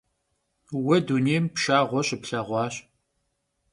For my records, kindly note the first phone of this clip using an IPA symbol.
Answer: w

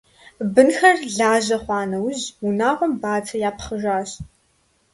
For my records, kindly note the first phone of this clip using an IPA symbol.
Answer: b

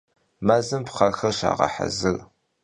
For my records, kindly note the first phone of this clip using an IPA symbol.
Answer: m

